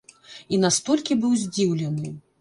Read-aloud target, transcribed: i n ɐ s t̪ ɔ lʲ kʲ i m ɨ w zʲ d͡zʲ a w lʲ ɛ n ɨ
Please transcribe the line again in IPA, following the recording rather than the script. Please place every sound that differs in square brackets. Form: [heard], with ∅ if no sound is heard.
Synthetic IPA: i n [a] s t̪ ɔ lʲ kʲ i [b] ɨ w zʲ d͡zʲ [i] w lʲ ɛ n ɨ